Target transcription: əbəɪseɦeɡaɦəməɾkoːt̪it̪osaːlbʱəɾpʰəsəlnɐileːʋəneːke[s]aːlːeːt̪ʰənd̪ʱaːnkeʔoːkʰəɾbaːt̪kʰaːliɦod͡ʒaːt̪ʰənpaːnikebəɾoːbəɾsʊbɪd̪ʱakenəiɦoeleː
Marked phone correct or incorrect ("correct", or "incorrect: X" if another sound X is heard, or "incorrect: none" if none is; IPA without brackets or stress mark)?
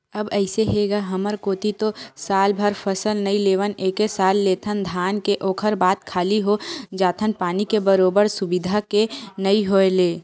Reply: correct